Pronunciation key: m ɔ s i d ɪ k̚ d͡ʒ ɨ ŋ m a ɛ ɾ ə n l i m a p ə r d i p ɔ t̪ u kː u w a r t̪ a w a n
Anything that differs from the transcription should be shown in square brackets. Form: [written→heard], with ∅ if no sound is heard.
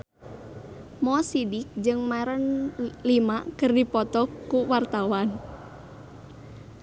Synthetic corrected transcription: m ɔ s i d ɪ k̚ d͡ʒ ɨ ŋ m a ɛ ɾ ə n l i m a [p→k] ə r d i p ɔ t̪ [u→ɔ] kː u w a r t̪ a w a n